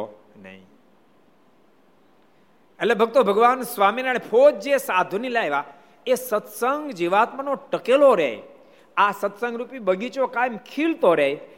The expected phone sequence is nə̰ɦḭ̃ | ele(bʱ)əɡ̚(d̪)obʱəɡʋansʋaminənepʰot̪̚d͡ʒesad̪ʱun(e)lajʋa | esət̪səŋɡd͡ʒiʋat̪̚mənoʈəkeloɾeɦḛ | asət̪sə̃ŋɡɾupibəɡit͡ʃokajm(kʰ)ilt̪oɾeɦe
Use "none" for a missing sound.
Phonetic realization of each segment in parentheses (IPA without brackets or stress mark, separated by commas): bʱ, t̪, i, kʰ